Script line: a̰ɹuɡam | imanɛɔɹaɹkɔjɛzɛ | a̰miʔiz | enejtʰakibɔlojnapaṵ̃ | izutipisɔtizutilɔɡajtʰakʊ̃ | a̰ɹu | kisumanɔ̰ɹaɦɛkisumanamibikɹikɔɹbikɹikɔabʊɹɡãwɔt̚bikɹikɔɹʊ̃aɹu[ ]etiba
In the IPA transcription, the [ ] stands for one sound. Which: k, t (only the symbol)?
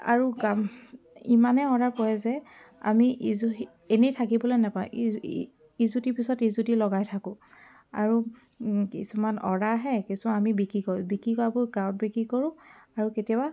k